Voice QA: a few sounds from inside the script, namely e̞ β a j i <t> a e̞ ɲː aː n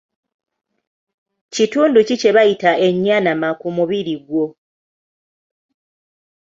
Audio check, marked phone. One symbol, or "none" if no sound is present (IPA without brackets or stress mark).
t